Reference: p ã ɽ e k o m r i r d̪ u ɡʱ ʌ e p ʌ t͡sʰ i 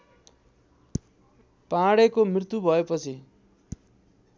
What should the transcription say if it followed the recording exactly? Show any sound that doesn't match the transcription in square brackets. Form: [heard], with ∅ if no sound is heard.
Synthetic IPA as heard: p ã ɽ e k o m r i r [t̪] u [bʱ] ʌ e p ʌ t͡sʰ i